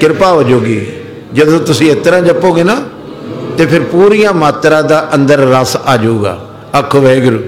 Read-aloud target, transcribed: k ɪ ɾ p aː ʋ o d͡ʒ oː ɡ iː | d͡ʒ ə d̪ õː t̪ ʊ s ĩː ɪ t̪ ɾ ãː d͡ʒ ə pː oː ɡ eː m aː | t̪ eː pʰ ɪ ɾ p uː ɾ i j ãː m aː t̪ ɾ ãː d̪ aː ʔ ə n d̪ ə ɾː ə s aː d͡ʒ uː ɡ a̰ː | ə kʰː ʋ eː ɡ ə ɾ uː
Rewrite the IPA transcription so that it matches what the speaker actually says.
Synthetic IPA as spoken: k ɪ ɾ p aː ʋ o d͡ʒ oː ɡ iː | d͡ʒ ə d̪ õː t̪ ʊ s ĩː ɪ t̪ ɾ ãː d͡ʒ ə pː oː ɡ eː n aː | t̪ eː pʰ ɪ ɾ p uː ɾ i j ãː m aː t̪ ɾ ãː d̪ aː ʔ ə n d̪ ə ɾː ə s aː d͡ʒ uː ɡ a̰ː | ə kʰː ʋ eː ɡ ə ɾ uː